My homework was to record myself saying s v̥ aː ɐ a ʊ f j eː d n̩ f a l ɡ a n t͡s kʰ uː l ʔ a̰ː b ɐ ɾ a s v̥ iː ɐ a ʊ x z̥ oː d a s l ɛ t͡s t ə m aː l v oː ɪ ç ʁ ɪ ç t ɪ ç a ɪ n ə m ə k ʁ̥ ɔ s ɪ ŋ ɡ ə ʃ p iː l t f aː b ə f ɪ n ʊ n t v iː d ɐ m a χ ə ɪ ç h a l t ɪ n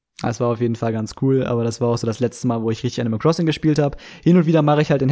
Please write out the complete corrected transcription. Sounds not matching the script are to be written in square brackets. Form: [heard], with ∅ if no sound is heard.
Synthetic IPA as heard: s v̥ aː ɐ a ʊ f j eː d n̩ f a l ɡ a n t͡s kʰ uː l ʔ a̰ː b ɐ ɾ a s v̥ [aː] ɐ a ʊ x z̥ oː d a s l ɛ t͡s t ə m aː l v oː ɪ ç ʁ ɪ ç t ɪ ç a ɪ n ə m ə k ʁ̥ ɔ s ɪ ŋ ɡ ə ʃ p iː l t [h] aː b ə [h] ɪ n ʊ n t v iː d ɐ m a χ ə ɪ ç h a l t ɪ n